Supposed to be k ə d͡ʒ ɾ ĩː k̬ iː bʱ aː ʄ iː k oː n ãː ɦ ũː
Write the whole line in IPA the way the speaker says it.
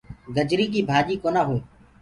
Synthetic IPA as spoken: ɡ ə d͡ʒ ɾ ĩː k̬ iː bʱ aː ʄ iː k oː n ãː ɦ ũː